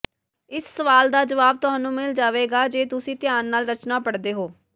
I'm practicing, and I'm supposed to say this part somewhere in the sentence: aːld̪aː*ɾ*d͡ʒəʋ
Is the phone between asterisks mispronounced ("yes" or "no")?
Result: yes